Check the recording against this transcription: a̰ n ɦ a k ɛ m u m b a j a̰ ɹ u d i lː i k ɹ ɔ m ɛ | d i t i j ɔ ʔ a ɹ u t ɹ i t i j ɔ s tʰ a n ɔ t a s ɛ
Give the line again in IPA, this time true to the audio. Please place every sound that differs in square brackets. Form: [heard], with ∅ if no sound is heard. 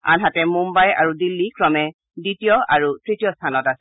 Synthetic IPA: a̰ n ɦ a [t] ɛ m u m b a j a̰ ɹ u d i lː i k ɹ ɔ m ɛ | d i t i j ɔ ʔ a ɹ u t ɹ i t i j ɔ s tʰ a n ɔ t a s ɛ